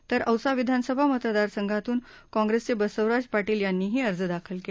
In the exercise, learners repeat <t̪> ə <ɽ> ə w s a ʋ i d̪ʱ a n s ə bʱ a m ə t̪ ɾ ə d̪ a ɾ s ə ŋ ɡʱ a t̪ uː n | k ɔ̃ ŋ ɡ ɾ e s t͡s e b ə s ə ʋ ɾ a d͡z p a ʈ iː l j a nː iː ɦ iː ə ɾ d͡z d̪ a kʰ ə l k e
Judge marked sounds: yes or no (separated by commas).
yes, no